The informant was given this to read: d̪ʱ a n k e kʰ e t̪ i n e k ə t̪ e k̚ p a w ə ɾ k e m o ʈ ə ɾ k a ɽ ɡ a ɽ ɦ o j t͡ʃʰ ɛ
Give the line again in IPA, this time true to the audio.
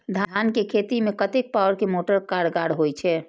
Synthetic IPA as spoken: d̪ʱ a n k e kʰ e t̪ i m e k ə t̪ e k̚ p a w ə ɾ k e m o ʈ ə ɾ k a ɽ ɡ a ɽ ɦ o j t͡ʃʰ ɛ